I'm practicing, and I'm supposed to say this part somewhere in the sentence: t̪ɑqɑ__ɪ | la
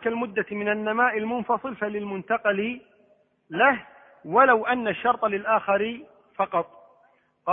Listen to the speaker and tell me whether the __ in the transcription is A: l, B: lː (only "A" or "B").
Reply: A